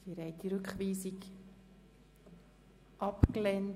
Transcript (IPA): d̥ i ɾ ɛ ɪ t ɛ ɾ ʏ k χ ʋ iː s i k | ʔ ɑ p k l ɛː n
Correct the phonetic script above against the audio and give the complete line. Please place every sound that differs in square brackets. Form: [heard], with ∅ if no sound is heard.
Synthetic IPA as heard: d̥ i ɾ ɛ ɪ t [i] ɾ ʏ k χ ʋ iː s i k | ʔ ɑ p k l [ɛ] n